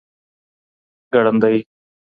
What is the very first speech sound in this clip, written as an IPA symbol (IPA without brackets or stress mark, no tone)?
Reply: ɡ